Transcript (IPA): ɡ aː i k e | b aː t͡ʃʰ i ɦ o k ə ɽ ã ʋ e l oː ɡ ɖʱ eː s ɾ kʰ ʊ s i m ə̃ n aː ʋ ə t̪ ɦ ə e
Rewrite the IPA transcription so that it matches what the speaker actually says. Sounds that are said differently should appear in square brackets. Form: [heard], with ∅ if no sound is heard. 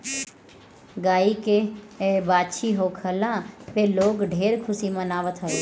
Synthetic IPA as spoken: ɡ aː i k e | b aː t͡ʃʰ i ɦ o [kʰ] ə [l] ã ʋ e l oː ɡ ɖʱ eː [∅] ɾ kʰ ʊ s i m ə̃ n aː ʋ ə t̪ ɦ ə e